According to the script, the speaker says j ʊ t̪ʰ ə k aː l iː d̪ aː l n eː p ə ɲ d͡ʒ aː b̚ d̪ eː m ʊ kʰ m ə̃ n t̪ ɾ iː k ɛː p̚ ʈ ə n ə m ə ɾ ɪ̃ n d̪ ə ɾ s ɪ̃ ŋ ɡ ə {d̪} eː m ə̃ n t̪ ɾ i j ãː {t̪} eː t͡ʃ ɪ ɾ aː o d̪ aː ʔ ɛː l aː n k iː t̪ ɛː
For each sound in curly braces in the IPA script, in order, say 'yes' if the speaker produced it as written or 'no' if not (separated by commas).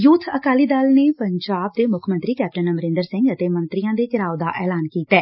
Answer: no, no